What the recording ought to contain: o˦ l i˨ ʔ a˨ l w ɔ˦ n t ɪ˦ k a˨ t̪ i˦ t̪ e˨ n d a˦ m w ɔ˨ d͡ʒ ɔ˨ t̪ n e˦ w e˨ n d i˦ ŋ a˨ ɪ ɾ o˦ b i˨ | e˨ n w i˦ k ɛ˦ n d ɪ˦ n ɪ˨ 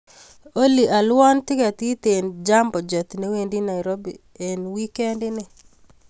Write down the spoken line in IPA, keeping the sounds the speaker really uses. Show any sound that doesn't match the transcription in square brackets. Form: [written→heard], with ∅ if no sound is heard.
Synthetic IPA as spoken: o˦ l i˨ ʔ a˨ l w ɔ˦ n t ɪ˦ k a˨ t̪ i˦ t̪ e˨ n [d→d͡ʒ] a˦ m [w→b] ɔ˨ d͡ʒ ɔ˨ t̪ n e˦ w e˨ n d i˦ [ŋ→n] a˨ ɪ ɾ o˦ b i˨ | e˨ n w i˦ k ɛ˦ n d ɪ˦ n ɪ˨